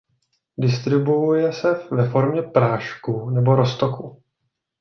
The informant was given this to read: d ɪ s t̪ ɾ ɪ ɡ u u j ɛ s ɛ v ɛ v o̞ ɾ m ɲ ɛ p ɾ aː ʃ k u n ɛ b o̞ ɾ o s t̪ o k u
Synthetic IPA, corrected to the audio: d ɪ s t̪ ɾ ɪ b u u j ɛ s ɛ v ɛ f o̞ ɾ m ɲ ɛ p ɾ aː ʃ k u n ɛ b o̞ ɾ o s t̪ o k u